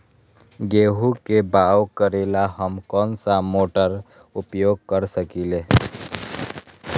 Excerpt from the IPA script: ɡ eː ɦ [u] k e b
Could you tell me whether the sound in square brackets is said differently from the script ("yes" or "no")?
no